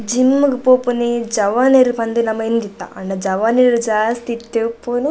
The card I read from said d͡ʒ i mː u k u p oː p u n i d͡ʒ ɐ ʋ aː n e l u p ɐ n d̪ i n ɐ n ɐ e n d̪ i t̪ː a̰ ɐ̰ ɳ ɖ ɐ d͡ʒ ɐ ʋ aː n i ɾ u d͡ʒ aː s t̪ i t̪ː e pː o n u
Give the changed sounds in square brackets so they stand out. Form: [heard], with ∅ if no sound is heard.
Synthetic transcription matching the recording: d͡ʒ i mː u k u p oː p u n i d͡ʒ ɐ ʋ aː n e [ɾ] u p ɐ n d̪ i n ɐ [m] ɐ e n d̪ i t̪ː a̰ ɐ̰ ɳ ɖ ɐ d͡ʒ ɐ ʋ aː n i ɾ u d͡ʒ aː s t̪ i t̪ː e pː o n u